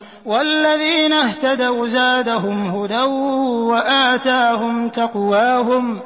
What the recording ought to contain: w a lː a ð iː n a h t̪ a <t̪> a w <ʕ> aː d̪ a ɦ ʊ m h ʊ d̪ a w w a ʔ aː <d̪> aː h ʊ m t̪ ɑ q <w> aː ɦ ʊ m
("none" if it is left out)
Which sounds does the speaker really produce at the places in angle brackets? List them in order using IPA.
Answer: d̪, z, t̪, w

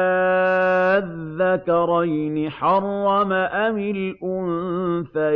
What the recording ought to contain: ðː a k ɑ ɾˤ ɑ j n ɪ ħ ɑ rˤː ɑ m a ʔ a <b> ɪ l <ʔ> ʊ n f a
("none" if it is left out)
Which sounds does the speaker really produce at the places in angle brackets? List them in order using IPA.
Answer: m, ʔ

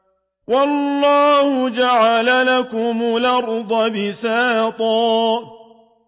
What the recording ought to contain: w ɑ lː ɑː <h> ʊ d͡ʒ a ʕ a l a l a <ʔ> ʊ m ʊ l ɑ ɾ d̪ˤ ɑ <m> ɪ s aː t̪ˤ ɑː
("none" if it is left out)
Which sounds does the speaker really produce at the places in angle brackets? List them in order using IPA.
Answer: h, k, b

